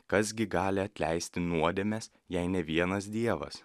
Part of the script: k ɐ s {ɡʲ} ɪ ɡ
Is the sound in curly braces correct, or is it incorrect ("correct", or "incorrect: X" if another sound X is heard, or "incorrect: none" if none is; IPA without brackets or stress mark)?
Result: correct